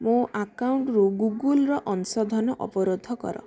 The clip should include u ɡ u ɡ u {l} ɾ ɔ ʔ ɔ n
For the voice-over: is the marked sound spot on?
yes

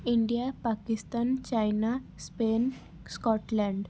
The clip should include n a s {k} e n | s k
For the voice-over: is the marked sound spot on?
no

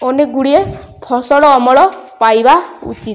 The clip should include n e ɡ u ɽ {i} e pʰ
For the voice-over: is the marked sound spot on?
yes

